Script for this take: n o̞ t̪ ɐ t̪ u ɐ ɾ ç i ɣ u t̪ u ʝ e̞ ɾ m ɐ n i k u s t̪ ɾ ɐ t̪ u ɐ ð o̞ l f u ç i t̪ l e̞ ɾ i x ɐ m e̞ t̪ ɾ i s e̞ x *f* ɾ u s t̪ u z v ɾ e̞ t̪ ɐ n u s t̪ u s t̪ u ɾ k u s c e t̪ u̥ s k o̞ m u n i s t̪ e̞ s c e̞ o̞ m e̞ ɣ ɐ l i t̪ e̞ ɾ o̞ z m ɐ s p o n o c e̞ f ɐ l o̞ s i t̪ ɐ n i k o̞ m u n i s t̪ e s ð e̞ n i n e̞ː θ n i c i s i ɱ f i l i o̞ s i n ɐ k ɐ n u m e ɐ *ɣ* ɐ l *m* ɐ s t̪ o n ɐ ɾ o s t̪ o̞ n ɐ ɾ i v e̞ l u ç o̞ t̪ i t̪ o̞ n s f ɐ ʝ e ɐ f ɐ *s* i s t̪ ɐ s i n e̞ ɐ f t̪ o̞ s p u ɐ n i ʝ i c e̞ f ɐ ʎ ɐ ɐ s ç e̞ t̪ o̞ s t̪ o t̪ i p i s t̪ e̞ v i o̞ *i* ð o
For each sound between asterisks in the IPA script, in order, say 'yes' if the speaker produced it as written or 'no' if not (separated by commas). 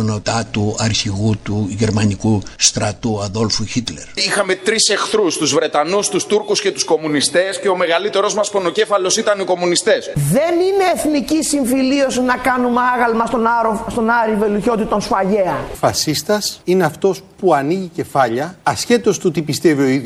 no, yes, yes, yes, yes